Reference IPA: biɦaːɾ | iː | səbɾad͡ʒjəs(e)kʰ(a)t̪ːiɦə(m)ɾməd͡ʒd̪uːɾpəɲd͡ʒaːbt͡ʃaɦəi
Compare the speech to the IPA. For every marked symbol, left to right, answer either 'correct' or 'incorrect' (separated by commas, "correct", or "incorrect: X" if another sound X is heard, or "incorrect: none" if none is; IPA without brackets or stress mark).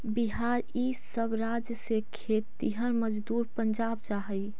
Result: correct, incorrect: e, incorrect: none